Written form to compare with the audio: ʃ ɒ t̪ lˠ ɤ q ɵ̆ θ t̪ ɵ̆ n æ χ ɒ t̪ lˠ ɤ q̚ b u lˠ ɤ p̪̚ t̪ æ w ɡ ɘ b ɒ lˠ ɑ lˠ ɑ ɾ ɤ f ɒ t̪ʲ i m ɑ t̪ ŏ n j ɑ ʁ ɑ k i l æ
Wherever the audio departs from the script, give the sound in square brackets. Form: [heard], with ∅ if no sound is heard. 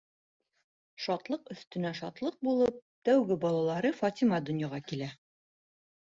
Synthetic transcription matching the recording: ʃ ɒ t̪ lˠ ɤ q ɵ̆ θ t̪ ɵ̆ n æ [ʃ] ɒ t̪ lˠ ɤ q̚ b u lˠ ɤ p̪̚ t̪ æ w ɡ ɘ b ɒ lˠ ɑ lˠ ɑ ɾ ɤ f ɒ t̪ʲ i m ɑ [d̪] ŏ n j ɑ ʁ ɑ k i l æ